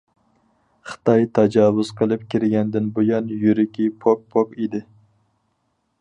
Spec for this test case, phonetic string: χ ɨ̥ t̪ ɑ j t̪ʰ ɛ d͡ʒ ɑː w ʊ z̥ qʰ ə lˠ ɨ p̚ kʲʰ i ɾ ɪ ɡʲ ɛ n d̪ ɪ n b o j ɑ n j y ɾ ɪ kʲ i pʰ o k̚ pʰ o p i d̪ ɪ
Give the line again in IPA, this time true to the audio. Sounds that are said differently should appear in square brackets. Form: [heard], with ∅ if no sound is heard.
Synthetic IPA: χ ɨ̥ t̪ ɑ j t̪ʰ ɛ d͡ʒ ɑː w ʊ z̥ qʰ ə lˠ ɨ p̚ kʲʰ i ɾ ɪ ɡʲ ɛ n d̪ ɪ n b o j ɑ n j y ɾ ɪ kʲ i pʰ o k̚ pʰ o [k] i d̪ ɪ